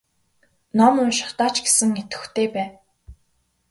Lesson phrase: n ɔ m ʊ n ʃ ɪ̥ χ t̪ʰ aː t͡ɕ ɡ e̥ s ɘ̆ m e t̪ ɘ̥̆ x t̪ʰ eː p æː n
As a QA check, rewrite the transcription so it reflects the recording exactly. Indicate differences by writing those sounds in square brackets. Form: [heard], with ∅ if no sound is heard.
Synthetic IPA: n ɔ m ʊ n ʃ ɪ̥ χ [t̪] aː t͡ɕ ɡ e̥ s ɘ̆ [ŋ] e t̪ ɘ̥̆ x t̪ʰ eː p æː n

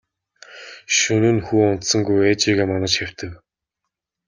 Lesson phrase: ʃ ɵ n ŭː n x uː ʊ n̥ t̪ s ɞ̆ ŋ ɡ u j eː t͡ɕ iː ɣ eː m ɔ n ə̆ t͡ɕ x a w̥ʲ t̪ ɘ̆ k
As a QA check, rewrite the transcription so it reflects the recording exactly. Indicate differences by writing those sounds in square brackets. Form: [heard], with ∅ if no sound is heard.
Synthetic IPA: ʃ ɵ n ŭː n x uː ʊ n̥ t̪ s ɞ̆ ŋ ɡ u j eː t͡ɕ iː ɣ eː m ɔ n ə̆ t͡ɕ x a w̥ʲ t̪ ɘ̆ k

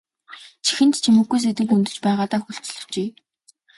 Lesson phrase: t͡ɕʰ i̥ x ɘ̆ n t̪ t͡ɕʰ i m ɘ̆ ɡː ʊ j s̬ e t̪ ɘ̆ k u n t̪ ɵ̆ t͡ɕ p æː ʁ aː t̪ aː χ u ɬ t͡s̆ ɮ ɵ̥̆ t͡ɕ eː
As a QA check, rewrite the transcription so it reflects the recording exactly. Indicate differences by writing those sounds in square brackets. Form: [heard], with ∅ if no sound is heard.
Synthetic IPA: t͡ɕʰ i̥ x ɘ̆ n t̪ t͡ɕʰ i m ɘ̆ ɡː [u] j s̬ e t̪ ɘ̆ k u n t̪ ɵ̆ t͡ɕ p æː ʁ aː t̪ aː [x] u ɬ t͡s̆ ɮ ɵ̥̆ t͡ɕ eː

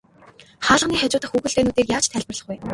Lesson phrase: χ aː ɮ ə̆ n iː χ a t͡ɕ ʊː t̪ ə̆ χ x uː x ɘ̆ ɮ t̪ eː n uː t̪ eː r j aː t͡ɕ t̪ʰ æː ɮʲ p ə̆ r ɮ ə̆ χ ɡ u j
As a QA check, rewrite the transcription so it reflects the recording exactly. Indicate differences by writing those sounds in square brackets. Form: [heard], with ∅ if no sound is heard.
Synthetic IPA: χ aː ɮ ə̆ n iː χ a t͡ɕ ʊː t̪ ə̆ χ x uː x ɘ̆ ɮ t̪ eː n uː t̪ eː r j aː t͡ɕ t̪ʰ æː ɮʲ p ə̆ r ɮ ə̆ χ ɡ u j

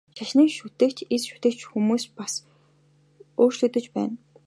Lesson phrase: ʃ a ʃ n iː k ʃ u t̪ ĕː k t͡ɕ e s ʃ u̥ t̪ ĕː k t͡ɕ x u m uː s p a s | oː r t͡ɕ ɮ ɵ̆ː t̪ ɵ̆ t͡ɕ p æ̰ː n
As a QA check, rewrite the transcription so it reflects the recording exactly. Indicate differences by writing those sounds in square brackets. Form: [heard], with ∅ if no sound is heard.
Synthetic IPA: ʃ a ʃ n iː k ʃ u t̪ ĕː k t͡ɕ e s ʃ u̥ t̪ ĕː k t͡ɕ x u m uː s p a s | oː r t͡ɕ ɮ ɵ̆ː t̪ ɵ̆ t͡ɕ p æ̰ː n

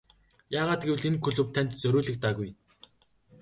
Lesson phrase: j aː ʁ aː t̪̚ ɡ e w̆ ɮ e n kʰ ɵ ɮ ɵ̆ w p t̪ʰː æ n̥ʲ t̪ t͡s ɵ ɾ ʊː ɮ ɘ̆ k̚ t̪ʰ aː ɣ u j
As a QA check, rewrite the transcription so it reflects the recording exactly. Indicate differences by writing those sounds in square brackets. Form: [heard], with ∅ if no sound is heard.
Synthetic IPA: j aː ʁ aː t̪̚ ɡ e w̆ ɮ e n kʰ ɵ ɮ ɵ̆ w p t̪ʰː æ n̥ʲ t̪ t͡s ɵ ɾ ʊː ɮ ɘ̆ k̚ [t̪] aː ɣ u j

